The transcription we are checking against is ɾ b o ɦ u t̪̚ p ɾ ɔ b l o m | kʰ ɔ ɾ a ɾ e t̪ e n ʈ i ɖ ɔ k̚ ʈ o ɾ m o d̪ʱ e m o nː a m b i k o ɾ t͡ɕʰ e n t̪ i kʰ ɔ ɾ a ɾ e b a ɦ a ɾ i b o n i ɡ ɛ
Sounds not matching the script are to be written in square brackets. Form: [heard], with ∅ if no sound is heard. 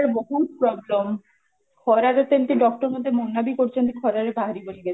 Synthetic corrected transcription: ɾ b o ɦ u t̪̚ p ɾ ɔ b l o m | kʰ ɔ ɾ a ɾ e t̪ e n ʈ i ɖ ɔ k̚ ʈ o ɾ m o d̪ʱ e m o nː a [∅] b i k o ɾ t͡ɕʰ e n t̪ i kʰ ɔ ɾ a ɾ e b a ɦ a ɾ i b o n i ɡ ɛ